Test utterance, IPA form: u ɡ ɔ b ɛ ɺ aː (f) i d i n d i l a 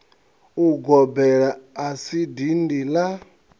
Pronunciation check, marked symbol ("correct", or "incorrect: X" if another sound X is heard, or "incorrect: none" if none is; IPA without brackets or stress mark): incorrect: s